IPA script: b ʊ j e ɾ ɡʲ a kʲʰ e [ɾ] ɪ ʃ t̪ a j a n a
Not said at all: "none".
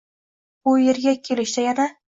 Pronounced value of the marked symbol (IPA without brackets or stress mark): l